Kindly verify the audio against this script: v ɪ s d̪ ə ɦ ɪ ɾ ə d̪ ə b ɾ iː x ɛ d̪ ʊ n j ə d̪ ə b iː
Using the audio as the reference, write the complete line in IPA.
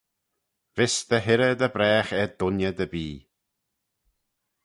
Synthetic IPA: v ɪ s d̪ ə ɦ ɪ ɾ ə d̪ ə b ɾ ɛː x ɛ d̪ ʊ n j ə d̪ ə b iː